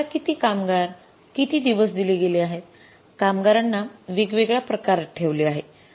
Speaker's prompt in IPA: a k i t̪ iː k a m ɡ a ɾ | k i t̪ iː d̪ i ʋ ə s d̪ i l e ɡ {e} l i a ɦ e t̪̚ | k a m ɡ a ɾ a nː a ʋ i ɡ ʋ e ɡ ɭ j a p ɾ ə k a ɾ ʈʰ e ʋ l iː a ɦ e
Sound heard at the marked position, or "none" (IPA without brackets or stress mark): e